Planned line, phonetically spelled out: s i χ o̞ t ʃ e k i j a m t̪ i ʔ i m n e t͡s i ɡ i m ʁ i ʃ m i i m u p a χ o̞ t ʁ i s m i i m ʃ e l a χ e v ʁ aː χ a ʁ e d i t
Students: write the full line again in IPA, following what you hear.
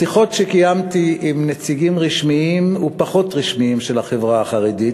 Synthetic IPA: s i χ o̞ t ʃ e k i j a m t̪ i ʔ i m n e t͡s i ɡ i m ʁ i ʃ m i i m u p a χ o̞ t ʁ i ʃ m i i m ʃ e l a χ e v ʁ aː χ a ʁ e d i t